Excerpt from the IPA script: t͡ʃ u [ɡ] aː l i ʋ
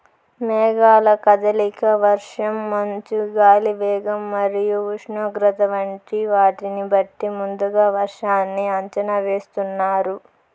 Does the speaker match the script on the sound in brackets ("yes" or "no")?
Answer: yes